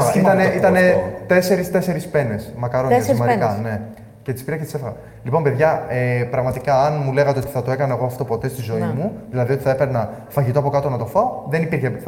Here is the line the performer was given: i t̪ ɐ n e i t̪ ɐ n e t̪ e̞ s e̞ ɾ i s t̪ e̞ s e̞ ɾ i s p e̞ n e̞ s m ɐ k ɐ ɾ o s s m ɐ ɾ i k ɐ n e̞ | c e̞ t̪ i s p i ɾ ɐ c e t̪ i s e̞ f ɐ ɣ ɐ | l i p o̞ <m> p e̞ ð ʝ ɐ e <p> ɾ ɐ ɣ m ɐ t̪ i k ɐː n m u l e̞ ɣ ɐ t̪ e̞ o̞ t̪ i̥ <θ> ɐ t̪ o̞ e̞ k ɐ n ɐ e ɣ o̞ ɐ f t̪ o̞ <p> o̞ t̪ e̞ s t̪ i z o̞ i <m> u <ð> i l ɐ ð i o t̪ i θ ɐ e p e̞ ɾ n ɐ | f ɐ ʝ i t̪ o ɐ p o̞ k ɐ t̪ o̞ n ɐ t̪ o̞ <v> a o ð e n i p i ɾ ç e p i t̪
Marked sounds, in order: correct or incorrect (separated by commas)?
correct, correct, correct, correct, correct, correct, incorrect